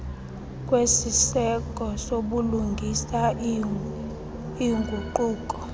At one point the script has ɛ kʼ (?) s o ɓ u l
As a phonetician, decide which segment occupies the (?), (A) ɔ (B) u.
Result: A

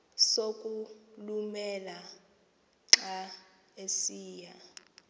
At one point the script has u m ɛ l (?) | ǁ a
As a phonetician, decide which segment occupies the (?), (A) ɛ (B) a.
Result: B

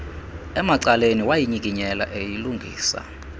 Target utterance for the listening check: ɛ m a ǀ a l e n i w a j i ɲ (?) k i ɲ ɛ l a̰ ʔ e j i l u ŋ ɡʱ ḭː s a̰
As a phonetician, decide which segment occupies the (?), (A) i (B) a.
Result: A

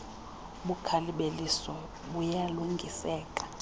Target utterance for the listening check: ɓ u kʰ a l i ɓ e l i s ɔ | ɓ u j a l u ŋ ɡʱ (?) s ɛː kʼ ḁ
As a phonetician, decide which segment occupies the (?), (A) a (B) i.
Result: B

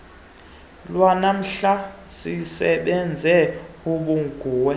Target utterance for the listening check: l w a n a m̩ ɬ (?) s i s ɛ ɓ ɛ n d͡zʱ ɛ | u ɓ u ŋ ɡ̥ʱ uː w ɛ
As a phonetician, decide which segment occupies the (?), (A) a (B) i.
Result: A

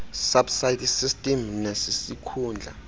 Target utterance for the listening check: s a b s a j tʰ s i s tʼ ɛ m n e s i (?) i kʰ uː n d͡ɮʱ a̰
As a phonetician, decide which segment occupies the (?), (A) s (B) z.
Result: A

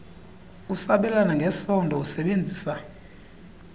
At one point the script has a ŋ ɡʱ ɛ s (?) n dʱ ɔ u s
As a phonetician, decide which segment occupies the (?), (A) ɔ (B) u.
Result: A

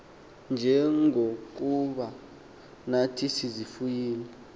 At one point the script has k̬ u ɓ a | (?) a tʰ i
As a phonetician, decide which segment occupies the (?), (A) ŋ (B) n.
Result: B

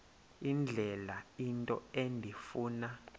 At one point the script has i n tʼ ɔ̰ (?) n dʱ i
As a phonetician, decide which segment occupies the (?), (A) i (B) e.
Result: B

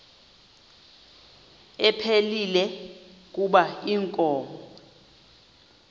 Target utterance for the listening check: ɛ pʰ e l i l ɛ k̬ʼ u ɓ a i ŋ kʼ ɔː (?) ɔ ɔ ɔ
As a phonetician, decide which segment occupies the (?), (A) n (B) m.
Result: B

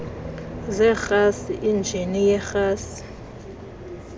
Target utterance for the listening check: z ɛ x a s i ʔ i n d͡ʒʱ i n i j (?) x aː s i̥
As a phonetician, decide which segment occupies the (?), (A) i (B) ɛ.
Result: B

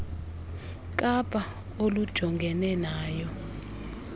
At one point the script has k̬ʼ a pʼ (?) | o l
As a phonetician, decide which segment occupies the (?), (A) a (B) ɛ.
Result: A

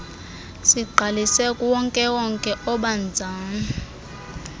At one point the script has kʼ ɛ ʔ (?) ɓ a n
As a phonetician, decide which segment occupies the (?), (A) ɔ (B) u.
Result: A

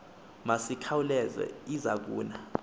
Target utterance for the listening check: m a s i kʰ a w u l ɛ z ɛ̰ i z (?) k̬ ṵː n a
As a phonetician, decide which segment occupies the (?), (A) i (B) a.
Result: B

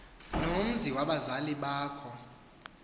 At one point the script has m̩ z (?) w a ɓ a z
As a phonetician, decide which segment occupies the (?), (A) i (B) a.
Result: A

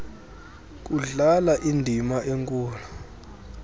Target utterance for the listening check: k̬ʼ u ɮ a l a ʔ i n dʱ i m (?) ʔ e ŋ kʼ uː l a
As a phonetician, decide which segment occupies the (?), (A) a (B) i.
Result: A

